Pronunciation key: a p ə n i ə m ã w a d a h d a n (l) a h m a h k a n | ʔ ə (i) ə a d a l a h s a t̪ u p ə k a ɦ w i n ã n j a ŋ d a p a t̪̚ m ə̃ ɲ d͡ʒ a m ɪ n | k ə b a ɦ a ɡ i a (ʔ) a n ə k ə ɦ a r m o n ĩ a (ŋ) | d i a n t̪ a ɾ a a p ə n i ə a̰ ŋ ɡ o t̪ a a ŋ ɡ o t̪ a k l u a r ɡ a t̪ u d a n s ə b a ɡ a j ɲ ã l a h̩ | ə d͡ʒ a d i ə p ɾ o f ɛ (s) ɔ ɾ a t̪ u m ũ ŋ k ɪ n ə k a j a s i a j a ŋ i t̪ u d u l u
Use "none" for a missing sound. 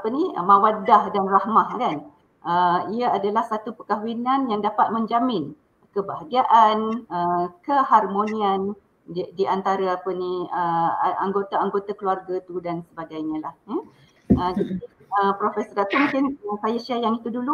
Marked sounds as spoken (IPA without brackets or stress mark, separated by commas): r, i, ʔ, n, s